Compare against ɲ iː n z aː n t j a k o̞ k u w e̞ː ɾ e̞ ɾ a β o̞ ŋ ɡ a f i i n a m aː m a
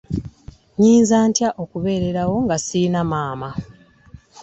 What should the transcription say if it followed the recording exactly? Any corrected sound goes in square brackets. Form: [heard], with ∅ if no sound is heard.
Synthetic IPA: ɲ iː n z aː n t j a [ʔ] o̞ k u [β] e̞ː ɾ e̞ ɾ a [w] o̞ ŋ ɡ a [s] i i n a m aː m a